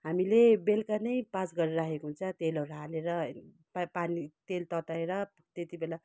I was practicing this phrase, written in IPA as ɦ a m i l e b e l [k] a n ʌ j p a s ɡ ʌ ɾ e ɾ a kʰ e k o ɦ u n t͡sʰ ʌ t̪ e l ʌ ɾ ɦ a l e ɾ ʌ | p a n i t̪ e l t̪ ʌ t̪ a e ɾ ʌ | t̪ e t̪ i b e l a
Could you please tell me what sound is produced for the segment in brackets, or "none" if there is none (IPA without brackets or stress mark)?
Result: k